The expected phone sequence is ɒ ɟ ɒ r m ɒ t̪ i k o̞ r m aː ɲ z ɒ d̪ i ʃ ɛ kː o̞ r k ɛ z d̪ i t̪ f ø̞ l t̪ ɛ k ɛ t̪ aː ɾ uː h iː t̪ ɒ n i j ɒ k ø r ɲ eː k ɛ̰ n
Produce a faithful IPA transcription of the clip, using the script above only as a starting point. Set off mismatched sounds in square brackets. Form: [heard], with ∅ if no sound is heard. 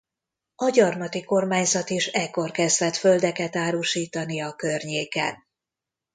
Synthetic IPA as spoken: ɒ ɟ ɒ r m ɒ t̪ i k o̞ r m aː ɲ z ɒ [t̪] i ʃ ɛ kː o̞ r k ɛ z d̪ [ɛ] t̪ f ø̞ l [d̪] ɛ k ɛ t̪ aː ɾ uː [ʃ] iː t̪ ɒ n i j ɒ k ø r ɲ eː k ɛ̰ n